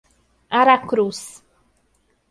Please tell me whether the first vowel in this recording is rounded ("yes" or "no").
no